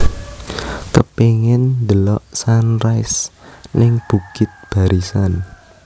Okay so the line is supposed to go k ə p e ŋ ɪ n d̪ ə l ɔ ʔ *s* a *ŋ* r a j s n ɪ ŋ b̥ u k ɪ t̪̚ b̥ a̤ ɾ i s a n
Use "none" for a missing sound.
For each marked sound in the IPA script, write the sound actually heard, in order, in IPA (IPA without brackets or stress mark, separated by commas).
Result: s, n